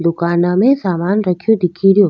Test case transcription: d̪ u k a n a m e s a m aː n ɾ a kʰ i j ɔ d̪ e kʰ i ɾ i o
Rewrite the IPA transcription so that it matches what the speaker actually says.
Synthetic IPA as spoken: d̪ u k a n a m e s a m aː n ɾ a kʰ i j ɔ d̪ i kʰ i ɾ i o